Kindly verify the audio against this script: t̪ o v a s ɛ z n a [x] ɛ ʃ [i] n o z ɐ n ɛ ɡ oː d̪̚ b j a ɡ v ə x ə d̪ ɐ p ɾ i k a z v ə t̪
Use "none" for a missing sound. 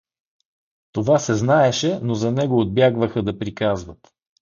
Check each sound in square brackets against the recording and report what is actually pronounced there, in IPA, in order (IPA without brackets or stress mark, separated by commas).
none, ɛ